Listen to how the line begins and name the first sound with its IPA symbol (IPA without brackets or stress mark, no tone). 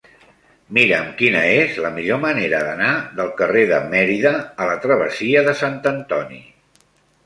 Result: m